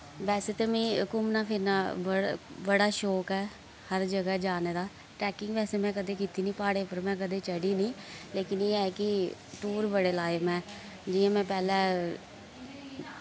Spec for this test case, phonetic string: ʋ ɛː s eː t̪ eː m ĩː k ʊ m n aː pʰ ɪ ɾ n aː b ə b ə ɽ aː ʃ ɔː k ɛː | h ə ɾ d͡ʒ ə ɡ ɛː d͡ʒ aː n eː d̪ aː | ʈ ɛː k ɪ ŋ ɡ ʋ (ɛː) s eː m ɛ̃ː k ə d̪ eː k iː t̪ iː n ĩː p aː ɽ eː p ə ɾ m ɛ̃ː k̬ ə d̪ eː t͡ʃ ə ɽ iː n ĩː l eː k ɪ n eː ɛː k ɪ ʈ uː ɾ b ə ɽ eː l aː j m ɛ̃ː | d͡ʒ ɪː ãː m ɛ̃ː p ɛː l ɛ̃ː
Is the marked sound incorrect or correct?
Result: correct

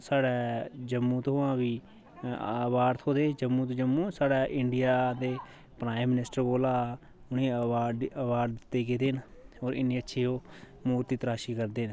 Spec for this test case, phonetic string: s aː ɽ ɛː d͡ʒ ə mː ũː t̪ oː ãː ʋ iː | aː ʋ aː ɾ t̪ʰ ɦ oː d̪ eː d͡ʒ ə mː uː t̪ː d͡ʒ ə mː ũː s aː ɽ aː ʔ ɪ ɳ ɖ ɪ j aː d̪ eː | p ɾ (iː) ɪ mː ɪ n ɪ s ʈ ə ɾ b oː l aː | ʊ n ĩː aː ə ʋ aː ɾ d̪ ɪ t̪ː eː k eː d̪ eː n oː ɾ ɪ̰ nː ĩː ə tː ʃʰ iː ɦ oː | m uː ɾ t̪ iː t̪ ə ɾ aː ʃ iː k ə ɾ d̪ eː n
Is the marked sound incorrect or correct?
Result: incorrect: aː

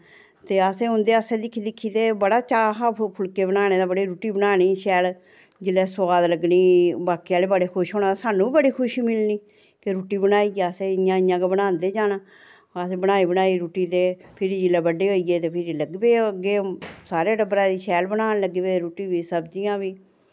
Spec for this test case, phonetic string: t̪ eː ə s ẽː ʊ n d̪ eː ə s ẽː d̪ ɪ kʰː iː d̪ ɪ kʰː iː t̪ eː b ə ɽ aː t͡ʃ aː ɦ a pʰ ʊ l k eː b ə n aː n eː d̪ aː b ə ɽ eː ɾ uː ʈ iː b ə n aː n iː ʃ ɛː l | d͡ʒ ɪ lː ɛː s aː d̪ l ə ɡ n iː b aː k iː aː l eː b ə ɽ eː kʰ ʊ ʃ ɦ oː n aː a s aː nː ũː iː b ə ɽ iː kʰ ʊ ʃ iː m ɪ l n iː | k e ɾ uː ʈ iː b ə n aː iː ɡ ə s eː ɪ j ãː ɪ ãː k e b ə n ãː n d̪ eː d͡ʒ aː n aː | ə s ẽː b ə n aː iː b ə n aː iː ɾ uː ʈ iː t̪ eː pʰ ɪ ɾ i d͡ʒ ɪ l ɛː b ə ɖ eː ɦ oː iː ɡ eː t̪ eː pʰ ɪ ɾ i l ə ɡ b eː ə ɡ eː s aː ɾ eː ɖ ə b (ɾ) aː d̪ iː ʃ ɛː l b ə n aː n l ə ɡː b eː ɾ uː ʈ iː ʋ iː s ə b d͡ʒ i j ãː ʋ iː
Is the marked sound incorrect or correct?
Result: correct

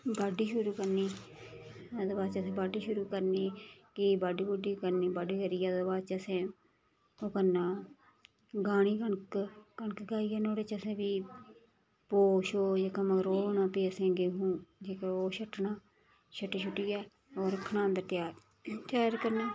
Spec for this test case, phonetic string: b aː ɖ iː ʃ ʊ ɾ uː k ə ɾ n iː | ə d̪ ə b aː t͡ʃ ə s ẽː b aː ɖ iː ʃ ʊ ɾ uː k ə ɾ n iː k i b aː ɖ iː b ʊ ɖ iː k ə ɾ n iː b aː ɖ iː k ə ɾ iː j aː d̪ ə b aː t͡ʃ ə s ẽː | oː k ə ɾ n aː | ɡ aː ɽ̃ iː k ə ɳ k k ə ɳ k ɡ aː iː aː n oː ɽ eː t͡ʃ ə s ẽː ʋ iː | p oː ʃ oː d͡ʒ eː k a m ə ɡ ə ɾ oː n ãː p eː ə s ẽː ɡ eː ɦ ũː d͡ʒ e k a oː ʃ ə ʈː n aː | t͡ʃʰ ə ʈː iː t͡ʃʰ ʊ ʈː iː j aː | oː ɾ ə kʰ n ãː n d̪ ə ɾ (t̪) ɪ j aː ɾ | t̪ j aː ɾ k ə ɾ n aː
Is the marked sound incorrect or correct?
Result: correct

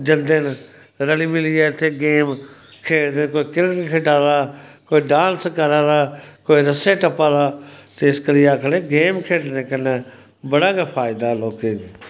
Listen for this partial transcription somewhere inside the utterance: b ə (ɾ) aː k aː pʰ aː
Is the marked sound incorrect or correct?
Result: incorrect: ɽ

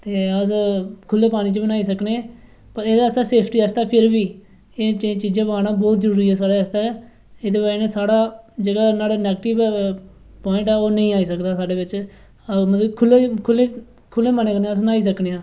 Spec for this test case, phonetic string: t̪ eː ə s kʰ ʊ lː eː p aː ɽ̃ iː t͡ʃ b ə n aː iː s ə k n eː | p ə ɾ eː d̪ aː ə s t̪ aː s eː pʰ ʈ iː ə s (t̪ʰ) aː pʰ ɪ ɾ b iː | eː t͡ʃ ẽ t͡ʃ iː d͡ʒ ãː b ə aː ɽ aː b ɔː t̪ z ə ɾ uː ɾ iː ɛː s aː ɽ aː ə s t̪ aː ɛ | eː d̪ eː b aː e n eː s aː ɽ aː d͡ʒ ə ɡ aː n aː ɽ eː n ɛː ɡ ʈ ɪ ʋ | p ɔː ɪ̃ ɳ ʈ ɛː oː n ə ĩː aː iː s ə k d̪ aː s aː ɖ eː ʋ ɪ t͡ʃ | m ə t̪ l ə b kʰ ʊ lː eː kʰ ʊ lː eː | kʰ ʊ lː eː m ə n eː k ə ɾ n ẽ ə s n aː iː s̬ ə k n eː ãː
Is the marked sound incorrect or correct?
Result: incorrect: t̪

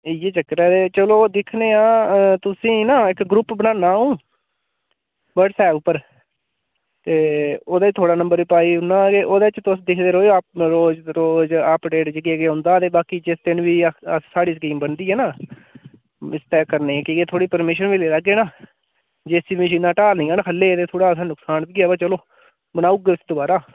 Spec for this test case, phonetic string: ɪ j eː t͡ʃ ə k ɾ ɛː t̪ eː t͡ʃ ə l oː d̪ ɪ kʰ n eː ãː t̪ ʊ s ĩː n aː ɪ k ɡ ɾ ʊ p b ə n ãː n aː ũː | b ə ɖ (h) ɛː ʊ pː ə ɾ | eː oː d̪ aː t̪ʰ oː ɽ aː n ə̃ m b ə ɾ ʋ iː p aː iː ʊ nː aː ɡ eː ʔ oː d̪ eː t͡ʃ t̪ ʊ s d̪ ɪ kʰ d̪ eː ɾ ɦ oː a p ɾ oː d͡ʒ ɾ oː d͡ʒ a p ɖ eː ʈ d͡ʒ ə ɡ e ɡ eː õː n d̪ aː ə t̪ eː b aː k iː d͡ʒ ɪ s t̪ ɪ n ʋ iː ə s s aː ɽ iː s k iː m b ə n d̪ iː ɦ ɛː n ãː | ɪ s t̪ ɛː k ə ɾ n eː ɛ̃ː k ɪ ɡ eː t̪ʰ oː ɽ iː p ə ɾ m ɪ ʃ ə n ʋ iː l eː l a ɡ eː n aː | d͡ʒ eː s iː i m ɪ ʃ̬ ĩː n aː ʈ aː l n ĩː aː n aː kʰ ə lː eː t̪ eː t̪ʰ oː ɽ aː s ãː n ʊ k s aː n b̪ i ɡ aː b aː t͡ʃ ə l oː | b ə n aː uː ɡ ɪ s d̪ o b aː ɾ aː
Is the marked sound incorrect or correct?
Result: incorrect: s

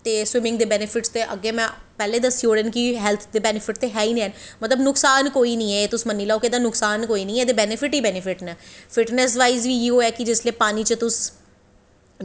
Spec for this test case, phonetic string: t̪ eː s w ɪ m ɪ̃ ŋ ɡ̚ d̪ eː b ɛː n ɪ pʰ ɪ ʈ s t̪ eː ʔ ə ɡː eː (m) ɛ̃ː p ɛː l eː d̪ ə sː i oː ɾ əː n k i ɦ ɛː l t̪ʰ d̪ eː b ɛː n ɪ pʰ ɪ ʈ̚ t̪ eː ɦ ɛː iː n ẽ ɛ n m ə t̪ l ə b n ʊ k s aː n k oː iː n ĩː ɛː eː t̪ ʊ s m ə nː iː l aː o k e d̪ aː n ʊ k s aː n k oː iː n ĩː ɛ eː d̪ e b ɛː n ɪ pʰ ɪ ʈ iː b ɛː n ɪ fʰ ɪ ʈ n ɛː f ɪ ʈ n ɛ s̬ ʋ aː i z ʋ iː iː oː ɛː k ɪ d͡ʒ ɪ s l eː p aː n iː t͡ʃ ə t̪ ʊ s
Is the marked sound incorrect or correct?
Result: correct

